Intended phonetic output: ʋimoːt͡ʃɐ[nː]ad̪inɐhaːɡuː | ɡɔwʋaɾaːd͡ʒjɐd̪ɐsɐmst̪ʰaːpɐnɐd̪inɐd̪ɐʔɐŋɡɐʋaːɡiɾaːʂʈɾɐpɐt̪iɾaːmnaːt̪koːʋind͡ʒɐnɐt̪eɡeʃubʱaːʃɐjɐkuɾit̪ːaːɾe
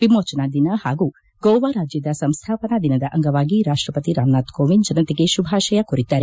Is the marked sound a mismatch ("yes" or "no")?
yes